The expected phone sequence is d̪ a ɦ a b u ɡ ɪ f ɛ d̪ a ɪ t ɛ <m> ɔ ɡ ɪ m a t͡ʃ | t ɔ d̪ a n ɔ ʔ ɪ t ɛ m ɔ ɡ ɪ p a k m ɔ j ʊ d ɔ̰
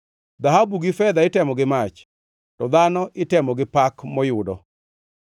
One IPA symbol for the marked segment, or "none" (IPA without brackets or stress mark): m